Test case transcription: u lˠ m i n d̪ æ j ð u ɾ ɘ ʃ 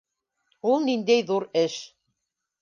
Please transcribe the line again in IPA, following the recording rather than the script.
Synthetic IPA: u lˠ n i n d̪ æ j ð u ɾ ɘ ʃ